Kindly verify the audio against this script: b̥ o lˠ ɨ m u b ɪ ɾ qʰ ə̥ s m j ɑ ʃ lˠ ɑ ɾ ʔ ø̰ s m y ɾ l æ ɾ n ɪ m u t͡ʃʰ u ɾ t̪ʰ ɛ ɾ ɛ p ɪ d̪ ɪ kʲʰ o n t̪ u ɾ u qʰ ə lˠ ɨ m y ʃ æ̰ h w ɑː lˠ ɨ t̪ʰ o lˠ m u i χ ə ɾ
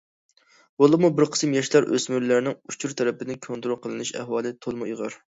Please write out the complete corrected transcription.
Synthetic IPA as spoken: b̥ o lˠ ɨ m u b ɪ ɾ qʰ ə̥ s m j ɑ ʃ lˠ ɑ ɾ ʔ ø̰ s m y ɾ l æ ɾ n ɪ ŋ u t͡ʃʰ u ɾ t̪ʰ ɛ ɾ ɛ p ɪ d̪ ɪ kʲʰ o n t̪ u ɾ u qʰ ə lˠ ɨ n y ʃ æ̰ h w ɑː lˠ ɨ t̪ʰ o lˠ m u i ʁ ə ɾ